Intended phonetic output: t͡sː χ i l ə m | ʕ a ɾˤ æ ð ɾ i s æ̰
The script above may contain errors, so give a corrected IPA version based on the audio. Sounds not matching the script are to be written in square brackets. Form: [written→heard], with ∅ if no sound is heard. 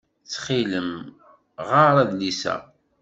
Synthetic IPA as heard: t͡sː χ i l ə m | [ʕ→ʁ] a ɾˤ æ ð [ɾ→l] i s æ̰